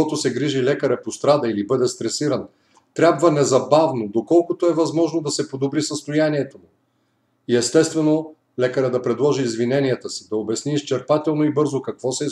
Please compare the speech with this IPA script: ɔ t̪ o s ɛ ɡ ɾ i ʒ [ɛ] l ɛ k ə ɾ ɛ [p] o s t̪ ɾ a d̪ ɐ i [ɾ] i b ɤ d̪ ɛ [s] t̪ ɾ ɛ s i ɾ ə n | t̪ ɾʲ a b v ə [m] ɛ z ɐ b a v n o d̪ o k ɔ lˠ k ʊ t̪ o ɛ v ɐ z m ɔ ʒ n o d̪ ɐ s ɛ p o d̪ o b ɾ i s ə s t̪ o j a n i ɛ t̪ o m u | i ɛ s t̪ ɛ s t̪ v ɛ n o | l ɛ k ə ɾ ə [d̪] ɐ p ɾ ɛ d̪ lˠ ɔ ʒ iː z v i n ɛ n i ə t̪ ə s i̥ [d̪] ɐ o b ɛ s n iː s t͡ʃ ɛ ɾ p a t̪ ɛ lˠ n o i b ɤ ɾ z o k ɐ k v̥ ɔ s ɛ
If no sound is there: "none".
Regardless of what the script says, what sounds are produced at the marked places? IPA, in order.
i, p, l, s, n, d̪, d̪

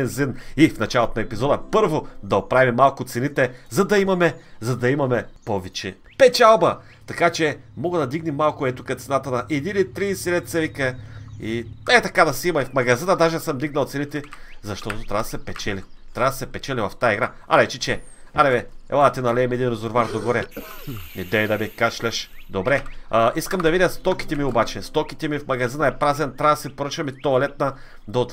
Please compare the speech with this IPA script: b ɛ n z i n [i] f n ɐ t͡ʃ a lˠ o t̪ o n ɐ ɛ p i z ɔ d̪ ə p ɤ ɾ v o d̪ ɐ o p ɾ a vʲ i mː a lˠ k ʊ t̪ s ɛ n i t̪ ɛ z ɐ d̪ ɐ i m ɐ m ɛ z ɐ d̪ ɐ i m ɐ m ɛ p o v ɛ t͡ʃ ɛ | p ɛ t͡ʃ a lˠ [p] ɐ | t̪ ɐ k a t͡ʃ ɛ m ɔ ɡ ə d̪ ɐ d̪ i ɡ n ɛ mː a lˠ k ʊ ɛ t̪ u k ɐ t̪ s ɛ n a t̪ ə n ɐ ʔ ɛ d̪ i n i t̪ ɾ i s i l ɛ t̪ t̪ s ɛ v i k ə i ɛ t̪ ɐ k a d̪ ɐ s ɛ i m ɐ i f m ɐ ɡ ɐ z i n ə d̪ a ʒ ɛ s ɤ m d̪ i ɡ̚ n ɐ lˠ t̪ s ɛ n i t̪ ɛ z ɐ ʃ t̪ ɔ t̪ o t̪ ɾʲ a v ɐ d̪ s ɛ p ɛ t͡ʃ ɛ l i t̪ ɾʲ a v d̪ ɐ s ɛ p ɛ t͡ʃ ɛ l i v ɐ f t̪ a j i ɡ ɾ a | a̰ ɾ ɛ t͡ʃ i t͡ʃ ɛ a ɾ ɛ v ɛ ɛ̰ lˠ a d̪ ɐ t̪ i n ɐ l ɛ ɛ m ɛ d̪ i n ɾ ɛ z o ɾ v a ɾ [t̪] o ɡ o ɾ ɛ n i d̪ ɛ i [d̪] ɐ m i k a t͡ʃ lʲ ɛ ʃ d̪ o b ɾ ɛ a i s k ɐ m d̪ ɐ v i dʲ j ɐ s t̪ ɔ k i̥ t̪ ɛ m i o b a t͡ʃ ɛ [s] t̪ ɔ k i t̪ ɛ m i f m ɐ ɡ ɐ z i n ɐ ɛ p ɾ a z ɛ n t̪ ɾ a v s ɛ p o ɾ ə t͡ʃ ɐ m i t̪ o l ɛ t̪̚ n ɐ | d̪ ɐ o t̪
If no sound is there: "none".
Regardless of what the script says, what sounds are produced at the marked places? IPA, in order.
i, b, d̪, d̪, s

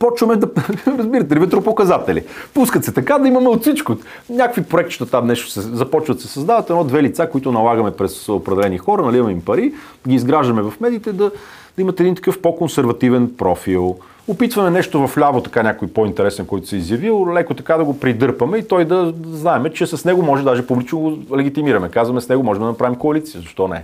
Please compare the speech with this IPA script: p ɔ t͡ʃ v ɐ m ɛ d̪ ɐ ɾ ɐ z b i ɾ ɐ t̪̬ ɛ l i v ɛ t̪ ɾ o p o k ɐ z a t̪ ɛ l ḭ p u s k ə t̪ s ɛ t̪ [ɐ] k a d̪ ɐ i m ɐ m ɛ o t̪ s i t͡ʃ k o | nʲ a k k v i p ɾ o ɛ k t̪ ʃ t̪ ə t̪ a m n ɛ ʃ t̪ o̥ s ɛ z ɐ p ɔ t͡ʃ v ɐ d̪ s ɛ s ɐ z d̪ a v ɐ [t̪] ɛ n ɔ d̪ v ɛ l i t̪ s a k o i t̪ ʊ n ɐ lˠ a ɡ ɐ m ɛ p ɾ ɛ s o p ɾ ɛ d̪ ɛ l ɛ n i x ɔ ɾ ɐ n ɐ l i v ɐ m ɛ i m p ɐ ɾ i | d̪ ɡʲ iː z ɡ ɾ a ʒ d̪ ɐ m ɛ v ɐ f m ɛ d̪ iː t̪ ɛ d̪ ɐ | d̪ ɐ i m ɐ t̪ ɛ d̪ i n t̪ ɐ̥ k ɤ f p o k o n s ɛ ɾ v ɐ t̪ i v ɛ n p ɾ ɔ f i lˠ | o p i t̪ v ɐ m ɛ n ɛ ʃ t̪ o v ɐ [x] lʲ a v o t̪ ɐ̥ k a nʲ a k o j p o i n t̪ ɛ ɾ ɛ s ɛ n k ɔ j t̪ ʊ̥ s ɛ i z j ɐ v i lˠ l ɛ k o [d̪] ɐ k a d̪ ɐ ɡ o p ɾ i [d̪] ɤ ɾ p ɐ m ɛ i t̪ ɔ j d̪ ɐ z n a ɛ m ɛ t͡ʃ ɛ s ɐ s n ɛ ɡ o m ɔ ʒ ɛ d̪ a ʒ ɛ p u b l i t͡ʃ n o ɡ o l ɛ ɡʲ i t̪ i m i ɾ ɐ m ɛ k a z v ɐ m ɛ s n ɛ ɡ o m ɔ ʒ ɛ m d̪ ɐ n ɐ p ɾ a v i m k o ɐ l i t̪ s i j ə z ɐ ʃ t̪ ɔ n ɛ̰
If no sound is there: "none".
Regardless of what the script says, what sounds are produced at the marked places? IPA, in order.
ɐ, t̪, f, t̪, d̪

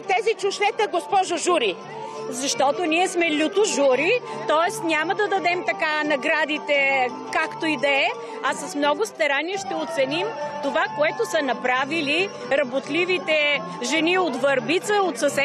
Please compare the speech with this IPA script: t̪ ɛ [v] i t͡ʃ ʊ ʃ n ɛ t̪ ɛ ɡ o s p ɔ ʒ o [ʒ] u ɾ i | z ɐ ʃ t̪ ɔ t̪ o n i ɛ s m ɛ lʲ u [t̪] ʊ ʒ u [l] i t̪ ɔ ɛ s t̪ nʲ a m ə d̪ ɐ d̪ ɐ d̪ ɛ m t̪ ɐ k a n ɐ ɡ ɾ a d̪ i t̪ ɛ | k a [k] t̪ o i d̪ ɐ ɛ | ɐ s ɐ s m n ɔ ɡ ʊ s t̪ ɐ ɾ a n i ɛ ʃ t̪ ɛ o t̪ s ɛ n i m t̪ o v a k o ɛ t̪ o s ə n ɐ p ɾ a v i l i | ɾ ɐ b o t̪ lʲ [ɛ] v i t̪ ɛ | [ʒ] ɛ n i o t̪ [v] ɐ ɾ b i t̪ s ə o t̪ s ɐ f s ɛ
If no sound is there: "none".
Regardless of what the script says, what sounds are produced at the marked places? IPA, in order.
z, ʒ, t̪, ɾ, k, i, ʒ, v

